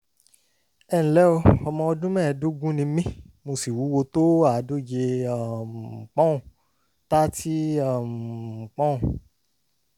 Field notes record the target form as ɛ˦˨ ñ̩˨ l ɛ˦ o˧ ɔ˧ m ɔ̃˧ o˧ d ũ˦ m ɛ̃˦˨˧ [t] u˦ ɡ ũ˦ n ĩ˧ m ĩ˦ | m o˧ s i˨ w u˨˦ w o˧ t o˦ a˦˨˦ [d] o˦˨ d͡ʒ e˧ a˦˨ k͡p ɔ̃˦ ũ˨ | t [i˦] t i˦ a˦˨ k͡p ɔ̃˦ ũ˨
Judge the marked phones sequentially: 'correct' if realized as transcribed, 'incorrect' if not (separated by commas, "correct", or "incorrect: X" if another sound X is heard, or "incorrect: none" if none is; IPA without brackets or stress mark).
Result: incorrect: d, correct, incorrect: a˦